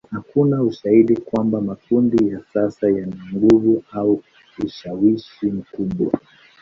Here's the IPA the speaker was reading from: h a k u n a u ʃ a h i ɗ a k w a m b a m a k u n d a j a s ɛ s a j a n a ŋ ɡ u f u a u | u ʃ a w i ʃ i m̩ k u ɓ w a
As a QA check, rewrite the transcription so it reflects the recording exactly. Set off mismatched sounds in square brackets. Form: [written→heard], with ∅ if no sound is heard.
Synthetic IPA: h a k u n a u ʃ a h i ɗ [a→i] k w a m b a m a k u n d [a→i] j a s [ɛ→a] s a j a n a ŋ ɡ u [f→v] u a u | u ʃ a w i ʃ i m̩ k u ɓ w a